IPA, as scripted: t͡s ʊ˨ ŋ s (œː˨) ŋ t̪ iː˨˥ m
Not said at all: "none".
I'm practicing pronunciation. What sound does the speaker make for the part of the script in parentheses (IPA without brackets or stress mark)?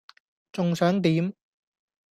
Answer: œː˨˥